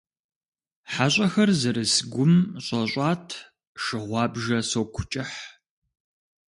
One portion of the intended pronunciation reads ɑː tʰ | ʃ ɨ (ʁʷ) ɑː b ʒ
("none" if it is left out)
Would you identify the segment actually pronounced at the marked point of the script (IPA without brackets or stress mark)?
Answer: ʁʷ